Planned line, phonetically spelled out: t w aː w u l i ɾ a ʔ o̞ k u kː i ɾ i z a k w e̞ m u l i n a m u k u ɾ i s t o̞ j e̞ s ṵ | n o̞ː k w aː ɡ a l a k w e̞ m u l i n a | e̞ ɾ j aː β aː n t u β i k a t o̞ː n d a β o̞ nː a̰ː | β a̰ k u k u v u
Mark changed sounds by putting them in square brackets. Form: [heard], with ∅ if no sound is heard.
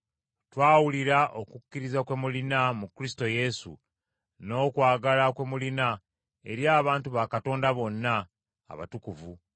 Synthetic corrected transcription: t w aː w u l i ɾ a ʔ o̞ k u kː i ɾ i z a k w e̞ m u l i n a m u k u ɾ i s t o̞ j e̞ s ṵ | n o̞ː k w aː ɡ a l a k w e̞ m u l i n a | e̞ ɾ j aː β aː n t u β [a] k a t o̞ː n d a β o̞ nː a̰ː | β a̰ [t] u k u v u